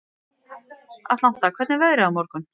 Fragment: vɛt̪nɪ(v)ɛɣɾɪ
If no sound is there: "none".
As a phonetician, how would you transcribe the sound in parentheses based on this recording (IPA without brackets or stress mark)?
v